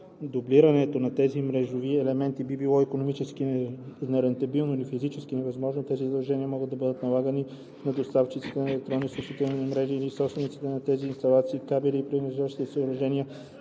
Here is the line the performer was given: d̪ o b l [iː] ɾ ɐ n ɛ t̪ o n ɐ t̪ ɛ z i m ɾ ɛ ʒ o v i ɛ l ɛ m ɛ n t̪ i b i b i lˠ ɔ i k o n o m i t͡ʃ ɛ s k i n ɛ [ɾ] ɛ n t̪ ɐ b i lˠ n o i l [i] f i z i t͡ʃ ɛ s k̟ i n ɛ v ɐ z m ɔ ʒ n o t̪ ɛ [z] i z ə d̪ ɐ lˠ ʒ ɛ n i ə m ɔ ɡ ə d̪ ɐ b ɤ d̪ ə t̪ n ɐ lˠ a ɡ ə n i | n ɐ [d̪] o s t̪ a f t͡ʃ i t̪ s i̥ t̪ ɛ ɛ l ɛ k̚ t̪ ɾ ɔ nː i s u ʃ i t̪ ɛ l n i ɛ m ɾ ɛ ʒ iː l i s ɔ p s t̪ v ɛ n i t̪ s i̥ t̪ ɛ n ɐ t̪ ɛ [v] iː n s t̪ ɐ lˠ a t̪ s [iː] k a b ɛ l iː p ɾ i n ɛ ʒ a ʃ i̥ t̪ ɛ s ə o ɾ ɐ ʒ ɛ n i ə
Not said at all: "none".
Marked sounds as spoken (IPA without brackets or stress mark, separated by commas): i, ɾ, i, z, d̪, z, iː